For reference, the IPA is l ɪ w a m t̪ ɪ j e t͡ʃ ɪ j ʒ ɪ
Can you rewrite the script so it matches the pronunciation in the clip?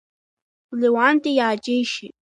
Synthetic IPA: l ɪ w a n t̪ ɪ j a t͡ʃ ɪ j ʃ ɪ